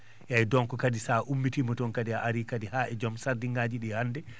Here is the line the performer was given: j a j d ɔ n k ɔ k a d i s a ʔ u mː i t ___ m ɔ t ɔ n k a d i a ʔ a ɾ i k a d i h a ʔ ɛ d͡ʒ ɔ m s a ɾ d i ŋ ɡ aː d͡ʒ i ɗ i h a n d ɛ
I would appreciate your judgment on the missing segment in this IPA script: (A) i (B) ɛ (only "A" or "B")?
A